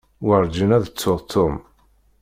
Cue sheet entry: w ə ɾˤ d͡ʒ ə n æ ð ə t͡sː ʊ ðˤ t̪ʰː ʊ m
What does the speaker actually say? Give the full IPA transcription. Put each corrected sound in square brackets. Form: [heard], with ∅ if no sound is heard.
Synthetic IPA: w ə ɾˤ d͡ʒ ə n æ ð ə t͡sː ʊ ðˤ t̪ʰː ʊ m

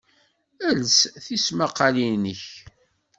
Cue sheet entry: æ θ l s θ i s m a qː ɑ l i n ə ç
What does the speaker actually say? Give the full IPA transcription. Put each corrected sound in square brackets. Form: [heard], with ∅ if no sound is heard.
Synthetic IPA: æ [∅] l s θ i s m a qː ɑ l i n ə ç

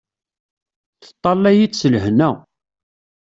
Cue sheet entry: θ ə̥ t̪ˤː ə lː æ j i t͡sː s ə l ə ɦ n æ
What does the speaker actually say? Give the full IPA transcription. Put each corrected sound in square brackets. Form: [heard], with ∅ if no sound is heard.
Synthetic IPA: θ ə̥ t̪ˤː [ɑ] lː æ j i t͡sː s ə l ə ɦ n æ

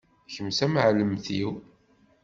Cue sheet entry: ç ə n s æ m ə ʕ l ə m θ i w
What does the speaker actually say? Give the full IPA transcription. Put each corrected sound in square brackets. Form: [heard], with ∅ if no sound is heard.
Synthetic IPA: ç ə [m] s æ m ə ʕ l ə m θ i w

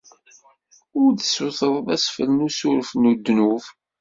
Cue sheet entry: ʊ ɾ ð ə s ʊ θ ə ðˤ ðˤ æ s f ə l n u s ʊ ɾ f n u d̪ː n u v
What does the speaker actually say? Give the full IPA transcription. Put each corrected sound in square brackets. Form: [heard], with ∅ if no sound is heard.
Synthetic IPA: ʊ ɾ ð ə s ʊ θ ə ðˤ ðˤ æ s f ə l n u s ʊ ɾ f n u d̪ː n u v

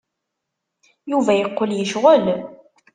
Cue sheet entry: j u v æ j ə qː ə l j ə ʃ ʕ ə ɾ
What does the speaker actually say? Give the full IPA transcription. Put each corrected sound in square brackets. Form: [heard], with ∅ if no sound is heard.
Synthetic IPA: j u v æ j ə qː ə l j ə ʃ [ʁ] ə [l]

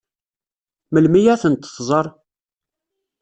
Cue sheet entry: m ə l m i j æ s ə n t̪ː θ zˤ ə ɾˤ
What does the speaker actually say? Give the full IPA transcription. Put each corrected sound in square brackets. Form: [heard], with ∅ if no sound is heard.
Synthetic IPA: m ə l m i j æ [θ] ə n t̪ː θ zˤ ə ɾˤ

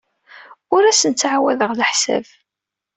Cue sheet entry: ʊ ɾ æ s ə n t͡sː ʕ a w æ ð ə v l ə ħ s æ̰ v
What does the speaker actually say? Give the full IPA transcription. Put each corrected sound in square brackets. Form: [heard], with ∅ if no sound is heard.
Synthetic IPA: ʊ ɾ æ s ə n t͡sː ʕ a w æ ð ə [ʁ] l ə ħ s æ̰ v

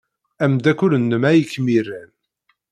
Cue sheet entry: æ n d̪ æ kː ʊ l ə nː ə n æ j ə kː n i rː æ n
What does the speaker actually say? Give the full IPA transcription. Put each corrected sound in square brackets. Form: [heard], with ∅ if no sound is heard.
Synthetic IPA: æ [m] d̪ æ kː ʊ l ə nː ə [m] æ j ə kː [m] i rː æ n

